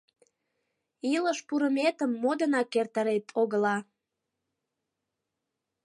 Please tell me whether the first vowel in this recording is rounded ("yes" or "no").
no